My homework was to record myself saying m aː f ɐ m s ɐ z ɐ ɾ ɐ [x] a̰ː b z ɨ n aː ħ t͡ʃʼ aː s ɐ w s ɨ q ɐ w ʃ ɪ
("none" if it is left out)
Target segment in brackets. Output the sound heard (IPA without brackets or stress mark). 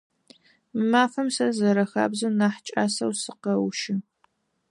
x